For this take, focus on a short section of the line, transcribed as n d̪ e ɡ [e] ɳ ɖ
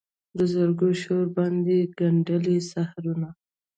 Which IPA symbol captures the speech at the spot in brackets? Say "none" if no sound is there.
a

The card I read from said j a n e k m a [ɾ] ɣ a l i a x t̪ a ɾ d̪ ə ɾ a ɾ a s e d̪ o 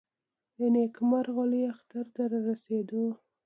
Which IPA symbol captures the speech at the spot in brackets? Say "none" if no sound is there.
ɾ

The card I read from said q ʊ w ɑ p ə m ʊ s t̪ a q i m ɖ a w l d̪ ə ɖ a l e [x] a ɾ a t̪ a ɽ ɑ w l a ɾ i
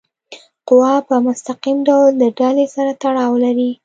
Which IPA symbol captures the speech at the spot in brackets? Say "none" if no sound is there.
s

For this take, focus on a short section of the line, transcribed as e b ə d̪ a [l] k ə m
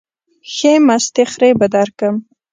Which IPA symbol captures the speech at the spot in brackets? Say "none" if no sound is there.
ɾ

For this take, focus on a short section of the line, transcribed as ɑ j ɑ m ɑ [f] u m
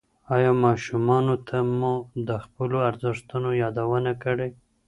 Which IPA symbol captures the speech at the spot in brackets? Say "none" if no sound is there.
ʃ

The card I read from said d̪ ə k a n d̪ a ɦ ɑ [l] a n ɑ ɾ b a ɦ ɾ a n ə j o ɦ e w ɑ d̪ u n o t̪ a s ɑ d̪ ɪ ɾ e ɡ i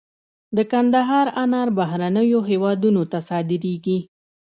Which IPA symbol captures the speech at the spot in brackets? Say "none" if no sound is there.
ɾ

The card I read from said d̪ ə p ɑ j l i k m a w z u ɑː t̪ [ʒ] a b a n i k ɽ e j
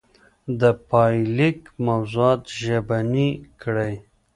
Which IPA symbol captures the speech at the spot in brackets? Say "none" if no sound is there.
ʒ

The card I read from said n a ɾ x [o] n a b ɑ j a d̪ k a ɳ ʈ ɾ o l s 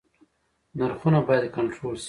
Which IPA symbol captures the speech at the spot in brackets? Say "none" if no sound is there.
u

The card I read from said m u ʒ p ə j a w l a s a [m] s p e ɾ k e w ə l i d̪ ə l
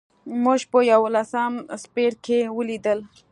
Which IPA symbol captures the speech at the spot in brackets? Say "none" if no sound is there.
m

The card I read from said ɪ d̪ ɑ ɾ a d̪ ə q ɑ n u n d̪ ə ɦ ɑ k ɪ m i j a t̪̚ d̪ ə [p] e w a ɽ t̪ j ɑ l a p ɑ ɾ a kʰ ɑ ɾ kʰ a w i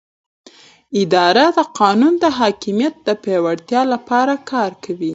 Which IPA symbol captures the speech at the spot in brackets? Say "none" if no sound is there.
p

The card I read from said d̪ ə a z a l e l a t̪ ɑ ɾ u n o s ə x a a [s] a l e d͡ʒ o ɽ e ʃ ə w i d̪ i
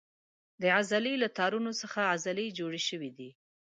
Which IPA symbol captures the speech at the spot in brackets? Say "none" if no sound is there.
z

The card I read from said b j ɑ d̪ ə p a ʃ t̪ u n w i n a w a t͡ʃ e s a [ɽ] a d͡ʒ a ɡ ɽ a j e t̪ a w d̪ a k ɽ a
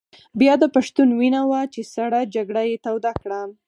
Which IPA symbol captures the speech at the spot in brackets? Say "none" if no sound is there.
ɽ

